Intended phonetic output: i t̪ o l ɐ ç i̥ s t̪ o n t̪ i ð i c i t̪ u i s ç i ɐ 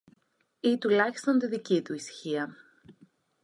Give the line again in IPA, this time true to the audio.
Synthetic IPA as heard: i t̪ u l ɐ ç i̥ s t̪ o n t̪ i ð i c i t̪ u i s ç i ɐ